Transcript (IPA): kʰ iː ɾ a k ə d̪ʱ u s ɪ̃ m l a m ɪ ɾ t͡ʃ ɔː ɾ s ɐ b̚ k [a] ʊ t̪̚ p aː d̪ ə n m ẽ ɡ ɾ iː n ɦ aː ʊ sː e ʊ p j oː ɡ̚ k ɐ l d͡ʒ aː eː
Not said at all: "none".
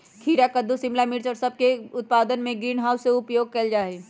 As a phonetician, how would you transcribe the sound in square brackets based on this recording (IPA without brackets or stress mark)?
e